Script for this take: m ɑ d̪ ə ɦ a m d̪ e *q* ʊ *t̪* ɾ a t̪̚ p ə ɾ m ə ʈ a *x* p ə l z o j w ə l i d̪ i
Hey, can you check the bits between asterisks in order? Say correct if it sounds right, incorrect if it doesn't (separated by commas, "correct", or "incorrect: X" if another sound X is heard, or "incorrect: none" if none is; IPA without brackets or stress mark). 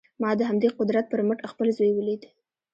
correct, incorrect: d̪, correct